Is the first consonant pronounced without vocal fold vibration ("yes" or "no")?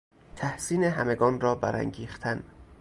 yes